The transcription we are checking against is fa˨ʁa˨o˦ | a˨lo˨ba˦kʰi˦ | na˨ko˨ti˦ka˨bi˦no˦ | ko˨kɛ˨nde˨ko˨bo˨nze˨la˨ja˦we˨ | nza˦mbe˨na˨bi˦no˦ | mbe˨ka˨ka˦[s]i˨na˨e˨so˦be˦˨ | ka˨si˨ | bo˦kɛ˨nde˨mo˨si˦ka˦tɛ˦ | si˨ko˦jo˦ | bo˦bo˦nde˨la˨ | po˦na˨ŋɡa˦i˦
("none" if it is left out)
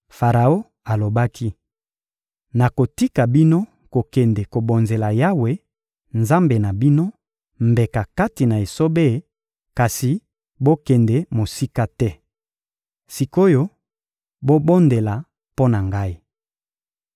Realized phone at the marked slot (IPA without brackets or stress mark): t